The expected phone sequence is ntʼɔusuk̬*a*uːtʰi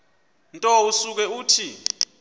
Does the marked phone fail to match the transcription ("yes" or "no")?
yes